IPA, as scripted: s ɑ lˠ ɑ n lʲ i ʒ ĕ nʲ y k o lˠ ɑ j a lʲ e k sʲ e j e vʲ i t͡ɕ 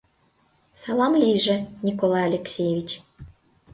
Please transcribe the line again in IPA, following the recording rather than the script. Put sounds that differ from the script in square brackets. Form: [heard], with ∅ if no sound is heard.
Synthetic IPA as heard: s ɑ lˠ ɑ [m] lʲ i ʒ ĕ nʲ [i] k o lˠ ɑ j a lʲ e k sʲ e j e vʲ i t͡ɕ